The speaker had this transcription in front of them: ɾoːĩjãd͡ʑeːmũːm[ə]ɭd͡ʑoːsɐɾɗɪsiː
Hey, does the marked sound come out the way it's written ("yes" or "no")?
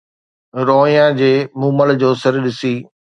yes